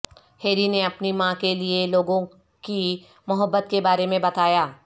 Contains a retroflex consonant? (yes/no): no